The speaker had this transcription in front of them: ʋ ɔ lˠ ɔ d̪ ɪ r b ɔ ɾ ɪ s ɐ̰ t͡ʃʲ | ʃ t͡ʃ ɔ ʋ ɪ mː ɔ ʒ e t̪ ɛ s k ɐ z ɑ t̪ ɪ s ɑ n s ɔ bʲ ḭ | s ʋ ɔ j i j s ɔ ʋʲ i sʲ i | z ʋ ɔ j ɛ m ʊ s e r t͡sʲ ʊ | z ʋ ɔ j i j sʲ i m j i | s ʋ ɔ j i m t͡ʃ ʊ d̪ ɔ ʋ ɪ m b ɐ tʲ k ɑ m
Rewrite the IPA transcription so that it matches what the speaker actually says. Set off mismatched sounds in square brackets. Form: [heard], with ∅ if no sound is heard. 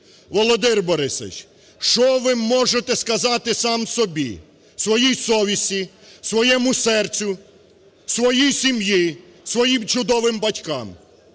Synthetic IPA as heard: ʋ ɔ lˠ ɔ d̪ ɪ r b ɔ ɾ ɪ s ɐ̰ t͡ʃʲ | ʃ t͡ʃ ɔ ʋ ɪ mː ɔ ʒ e t̪ ɛ s k ɐ z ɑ t̪ ɪ s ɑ [m] s ɔ bʲ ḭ | s ʋ ɔ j i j s ɔ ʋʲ i sʲ i | [s] ʋ ɔ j ɛ m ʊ s [ɛ] r t͡sʲ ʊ | [s] ʋ ɔ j i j sʲ i m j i | s ʋ ɔ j i m t͡ʃ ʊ d̪ ɔ ʋ ɪ m b ɐ tʲ k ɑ m